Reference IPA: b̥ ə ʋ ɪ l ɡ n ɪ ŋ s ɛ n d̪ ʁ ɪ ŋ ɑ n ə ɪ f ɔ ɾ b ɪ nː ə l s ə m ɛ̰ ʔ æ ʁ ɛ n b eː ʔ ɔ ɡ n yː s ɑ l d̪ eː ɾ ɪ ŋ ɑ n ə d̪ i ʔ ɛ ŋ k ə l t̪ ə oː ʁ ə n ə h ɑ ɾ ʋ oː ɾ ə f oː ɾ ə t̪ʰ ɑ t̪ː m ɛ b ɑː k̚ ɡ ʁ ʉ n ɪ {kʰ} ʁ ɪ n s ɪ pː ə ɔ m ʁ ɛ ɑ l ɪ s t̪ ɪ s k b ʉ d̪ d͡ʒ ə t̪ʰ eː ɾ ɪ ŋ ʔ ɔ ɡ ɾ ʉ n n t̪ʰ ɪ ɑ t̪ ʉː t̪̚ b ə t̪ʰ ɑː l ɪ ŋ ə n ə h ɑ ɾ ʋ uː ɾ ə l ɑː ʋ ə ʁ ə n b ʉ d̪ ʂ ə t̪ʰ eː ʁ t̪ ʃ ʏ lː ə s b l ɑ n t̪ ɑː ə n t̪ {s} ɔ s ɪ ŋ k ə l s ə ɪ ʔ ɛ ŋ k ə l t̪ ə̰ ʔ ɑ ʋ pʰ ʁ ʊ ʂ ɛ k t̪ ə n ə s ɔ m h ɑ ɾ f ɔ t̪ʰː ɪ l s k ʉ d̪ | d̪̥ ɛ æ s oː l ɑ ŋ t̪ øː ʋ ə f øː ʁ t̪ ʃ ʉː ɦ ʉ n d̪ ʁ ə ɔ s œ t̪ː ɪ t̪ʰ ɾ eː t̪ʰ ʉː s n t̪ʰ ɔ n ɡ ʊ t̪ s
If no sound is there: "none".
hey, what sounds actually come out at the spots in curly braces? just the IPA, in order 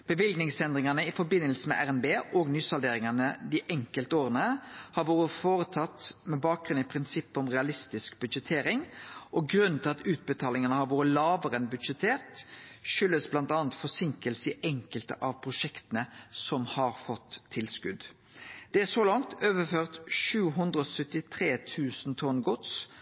pʰ, f

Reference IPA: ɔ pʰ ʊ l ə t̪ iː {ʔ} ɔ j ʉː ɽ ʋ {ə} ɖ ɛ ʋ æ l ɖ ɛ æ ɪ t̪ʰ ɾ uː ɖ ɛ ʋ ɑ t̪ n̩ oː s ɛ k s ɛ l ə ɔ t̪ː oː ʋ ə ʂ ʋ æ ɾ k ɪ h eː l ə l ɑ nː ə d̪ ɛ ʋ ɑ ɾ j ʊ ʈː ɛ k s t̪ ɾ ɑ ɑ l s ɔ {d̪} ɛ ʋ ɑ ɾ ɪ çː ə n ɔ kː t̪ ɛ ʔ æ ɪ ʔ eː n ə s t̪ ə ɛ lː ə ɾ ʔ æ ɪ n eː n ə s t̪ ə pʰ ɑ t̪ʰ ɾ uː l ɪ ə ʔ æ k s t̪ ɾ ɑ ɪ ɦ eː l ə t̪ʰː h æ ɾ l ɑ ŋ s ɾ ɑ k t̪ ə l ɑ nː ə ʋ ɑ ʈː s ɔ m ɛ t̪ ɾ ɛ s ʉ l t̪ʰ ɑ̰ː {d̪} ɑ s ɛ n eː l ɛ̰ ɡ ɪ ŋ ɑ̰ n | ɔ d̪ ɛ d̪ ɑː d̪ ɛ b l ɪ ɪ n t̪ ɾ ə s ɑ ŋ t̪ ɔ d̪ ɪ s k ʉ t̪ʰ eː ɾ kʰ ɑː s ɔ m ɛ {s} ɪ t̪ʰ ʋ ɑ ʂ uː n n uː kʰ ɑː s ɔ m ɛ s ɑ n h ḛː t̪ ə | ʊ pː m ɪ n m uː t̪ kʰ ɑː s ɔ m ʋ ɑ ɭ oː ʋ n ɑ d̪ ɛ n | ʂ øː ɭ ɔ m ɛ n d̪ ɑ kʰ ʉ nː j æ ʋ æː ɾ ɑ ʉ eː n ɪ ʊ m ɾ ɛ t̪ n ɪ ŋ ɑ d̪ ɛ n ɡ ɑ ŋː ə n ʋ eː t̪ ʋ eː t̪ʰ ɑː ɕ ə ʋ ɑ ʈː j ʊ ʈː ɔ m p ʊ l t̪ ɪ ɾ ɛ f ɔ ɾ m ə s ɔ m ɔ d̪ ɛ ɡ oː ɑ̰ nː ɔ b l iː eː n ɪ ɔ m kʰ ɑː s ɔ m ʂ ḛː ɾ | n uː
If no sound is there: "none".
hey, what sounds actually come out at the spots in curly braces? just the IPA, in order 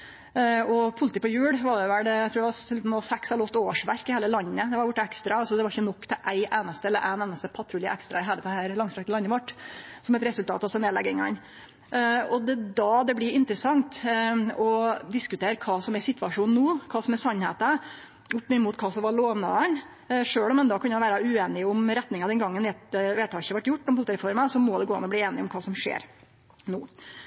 p, ɑ, d̪, t̪, s

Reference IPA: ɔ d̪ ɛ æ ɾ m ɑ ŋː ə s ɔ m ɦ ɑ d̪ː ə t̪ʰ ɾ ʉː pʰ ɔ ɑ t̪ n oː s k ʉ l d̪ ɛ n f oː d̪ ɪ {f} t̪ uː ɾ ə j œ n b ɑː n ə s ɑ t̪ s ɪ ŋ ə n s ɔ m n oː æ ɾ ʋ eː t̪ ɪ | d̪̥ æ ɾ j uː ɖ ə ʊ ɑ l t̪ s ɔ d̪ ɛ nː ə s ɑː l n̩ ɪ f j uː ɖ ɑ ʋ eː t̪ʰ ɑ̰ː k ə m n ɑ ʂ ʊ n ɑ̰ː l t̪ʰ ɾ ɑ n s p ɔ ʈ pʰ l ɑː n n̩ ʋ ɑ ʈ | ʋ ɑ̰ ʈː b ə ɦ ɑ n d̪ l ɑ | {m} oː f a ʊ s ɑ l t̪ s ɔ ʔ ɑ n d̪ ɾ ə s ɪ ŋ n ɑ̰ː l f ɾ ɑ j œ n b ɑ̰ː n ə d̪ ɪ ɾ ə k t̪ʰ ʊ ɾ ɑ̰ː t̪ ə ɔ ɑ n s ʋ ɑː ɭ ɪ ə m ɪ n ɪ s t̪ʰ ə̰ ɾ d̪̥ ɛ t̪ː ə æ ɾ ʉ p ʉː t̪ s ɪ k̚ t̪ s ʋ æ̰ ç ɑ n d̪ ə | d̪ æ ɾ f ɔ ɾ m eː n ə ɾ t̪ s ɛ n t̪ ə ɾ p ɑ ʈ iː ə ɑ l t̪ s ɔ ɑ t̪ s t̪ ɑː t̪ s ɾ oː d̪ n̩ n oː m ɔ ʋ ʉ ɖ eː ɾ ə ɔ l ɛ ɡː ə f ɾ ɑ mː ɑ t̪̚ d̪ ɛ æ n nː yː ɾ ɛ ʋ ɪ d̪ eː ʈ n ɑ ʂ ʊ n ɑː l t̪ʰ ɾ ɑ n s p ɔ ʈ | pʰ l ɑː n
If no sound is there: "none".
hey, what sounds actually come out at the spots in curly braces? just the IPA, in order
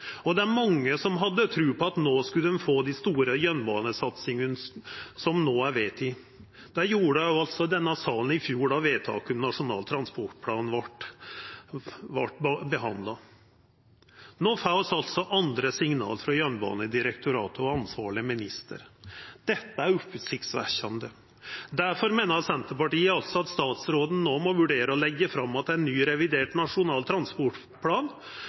s, n

